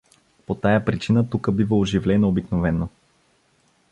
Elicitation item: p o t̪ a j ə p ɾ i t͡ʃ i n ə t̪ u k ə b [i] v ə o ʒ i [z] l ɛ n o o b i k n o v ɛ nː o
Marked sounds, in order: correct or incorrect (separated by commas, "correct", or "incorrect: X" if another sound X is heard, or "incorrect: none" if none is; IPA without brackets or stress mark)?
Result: correct, incorrect: v